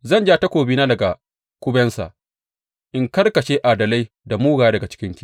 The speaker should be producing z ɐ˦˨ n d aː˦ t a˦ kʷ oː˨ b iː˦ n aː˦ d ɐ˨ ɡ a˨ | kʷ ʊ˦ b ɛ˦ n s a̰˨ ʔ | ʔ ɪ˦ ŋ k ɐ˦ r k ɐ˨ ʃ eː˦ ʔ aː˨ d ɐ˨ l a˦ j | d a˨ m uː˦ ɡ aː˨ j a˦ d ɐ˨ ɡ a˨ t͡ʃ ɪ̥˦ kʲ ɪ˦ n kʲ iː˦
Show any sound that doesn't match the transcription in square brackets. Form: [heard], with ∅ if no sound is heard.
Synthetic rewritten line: z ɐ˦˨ n [d͡ʒ] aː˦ t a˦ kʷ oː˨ b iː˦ n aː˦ d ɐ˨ ɡ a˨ | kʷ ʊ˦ b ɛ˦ n s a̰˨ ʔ | ʔ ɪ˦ ŋ k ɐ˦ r k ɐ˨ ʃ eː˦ ʔ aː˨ d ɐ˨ l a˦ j | d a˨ m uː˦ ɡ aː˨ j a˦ d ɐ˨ ɡ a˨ t͡ʃ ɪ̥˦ kʲ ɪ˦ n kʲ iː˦